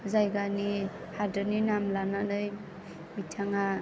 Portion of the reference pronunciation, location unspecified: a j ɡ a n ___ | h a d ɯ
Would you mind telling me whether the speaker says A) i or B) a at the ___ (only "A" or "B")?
A